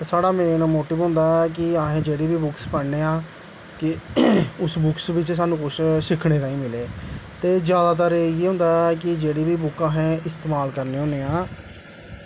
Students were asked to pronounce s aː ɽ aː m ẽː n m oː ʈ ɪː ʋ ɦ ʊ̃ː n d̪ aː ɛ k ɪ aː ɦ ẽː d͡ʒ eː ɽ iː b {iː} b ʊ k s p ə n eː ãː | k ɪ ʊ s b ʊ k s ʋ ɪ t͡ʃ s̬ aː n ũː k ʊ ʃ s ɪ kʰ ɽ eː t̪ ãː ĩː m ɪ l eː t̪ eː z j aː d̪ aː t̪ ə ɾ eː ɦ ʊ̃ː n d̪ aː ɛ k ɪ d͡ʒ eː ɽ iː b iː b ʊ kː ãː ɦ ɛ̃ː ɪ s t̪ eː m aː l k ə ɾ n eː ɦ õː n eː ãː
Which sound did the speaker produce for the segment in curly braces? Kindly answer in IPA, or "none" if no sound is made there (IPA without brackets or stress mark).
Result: iː